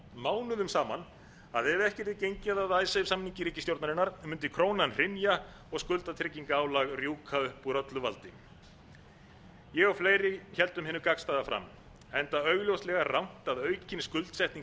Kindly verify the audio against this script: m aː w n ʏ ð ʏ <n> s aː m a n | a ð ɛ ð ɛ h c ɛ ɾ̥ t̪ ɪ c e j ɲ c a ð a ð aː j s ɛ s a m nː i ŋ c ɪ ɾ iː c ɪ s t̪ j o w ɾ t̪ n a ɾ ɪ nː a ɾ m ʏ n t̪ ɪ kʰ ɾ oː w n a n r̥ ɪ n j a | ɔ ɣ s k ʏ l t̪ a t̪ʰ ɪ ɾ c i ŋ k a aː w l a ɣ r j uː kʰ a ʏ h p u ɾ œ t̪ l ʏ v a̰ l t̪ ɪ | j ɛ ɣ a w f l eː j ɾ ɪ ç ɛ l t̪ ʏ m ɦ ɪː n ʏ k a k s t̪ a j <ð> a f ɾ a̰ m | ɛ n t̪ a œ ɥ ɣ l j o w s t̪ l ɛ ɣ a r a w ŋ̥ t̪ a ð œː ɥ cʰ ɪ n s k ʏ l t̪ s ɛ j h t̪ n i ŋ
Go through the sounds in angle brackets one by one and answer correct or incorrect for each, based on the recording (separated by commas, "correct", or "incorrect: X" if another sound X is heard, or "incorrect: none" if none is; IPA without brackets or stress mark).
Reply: incorrect: m, correct